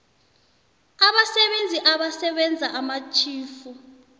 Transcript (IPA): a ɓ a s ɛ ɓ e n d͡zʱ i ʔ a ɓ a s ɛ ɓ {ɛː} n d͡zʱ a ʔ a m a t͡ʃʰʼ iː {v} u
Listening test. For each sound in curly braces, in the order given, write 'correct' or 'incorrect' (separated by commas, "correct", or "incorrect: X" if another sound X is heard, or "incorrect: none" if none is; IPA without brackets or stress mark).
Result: incorrect: ɛ, incorrect: f